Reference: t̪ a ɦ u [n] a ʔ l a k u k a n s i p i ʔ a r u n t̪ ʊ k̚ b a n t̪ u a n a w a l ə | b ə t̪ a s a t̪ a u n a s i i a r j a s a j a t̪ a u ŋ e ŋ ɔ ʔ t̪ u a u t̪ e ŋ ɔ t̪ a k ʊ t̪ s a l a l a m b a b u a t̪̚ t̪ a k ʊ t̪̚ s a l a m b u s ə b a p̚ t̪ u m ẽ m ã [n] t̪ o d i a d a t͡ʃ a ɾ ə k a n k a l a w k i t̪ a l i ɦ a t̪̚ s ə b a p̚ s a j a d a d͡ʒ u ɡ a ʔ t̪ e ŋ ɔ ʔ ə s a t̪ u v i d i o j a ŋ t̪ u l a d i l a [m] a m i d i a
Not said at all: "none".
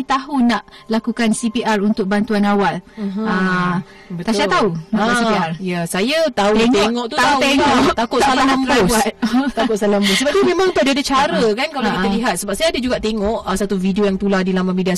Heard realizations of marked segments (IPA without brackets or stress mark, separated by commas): n, ŋ, m